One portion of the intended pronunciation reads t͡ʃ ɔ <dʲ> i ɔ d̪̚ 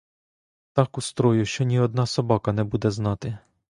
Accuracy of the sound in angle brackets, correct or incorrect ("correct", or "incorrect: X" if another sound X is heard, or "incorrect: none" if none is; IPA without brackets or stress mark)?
incorrect: nʲ